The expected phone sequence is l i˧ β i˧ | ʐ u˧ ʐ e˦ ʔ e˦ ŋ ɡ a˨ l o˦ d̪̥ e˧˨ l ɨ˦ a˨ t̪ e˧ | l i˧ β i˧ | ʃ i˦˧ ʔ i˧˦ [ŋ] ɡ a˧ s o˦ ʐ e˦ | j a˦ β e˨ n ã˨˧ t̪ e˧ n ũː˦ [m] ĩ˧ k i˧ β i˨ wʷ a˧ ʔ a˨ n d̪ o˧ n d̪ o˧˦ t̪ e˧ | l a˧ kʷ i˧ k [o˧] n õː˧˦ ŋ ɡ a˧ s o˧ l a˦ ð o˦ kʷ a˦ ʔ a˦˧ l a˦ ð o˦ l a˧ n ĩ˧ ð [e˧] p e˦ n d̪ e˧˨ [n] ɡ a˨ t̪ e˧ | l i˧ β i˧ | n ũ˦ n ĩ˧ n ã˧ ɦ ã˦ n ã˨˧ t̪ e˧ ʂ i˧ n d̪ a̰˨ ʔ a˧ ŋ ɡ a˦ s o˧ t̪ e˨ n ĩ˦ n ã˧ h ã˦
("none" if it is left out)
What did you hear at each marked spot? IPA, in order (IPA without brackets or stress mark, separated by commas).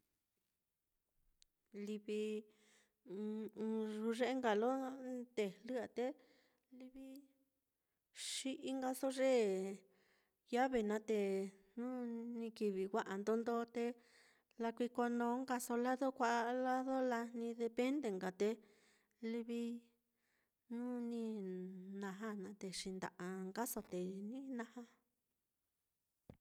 ŋ, n, o˧, e˧, ŋ